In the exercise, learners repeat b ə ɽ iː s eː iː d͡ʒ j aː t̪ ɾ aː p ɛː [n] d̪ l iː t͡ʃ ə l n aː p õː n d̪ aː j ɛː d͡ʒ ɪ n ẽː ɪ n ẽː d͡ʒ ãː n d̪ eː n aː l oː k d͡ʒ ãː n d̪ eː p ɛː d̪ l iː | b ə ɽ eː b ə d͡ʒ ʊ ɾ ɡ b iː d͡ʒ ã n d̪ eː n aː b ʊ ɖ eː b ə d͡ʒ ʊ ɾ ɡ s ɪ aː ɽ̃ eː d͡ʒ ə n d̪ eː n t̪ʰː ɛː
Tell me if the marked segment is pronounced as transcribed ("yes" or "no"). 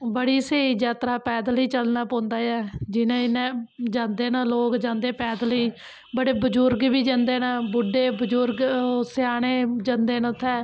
no